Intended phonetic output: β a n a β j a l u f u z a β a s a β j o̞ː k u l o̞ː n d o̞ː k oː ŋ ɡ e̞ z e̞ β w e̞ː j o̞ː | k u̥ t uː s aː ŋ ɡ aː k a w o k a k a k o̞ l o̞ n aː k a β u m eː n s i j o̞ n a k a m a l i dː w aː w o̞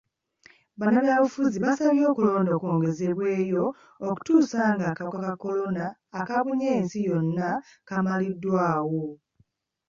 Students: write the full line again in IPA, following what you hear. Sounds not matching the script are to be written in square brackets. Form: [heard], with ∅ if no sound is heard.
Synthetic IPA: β a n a β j a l u f u z [i] β a s a β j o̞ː k u l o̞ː n d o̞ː k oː ŋ ɡ e̞ z e̞ β w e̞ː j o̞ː | k u̥ t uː s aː ŋ ɡ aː k a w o k a k a k o̞ l o̞ n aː k a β u [ɲ] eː n s i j o̞ [nː] a k a m a l i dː w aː w o̞